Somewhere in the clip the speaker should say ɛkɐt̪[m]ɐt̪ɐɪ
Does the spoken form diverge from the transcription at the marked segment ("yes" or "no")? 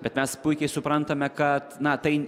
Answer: yes